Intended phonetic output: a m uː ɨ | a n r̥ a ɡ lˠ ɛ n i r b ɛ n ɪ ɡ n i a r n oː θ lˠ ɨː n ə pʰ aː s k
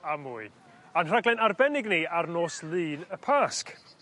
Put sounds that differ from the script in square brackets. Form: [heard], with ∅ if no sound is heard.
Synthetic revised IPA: a m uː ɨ | a n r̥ a ɡ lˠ ɛ n [a] r b ɛ n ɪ ɡ n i a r n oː [s] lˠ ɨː n ə pʰ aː s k